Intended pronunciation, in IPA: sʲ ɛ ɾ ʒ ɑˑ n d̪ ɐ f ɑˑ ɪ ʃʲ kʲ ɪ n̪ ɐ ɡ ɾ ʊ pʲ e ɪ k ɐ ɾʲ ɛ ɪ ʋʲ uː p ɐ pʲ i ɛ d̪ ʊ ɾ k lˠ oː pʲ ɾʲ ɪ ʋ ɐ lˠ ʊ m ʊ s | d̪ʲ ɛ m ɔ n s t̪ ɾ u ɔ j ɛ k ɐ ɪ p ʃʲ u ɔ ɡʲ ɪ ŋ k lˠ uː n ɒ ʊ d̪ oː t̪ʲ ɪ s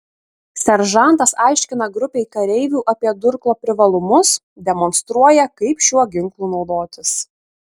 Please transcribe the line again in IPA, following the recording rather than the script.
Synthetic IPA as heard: sʲ ɛ ɾ ʒ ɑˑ n t̪ ɐ s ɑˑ ɪ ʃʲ kʲ ɪ n̪ ɐ ɡ ɾ ʊ pʲ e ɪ k ɐ ɾʲ ɛ ɪ ʋʲ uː ʔ ɐ pʲ i ɛ d̪ ʊ ɾ k lˠ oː pʲ ɾʲ ɪ ʋ ɐ lˠ ʊ m ʊ s | d̪ʲ ɛ m ɔ n s t̪ ɾ u ɔ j ɛ k ɐ ɪ p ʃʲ u ɔ ɡʲ ɪ ŋ k lˠ uː n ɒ ʊ d̪ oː t̪ʲ ɪ s